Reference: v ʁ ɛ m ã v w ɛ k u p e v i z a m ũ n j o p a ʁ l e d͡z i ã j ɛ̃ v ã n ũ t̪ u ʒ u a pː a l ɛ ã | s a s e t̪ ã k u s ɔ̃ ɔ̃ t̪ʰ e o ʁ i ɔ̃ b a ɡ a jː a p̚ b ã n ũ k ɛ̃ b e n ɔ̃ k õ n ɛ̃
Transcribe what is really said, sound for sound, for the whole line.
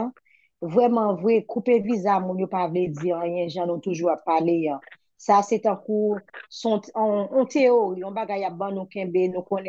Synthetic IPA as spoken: v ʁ ɛ m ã v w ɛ k u p e v i z a m ũ n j o p a v l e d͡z i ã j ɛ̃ ʒ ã n ũ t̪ u ʒ u a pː a l e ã | s a s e t̪ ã k u s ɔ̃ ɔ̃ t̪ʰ e o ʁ i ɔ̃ b a ɡ a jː a p̚ b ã n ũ k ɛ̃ b e n ũ k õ n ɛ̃